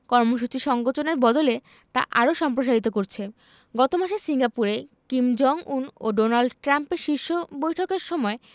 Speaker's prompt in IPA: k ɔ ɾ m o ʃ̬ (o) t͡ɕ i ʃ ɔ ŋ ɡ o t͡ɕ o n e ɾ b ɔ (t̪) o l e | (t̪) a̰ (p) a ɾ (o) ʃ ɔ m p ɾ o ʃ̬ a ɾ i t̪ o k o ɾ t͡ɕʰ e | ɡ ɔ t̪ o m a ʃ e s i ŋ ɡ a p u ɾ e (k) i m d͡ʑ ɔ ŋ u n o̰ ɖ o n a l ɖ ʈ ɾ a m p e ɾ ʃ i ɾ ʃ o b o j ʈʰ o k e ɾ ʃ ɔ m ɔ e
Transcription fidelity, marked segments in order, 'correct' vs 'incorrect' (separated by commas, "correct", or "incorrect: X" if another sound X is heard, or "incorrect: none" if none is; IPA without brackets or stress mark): incorrect: u, incorrect: d̪, correct, incorrect: ʔ, correct, correct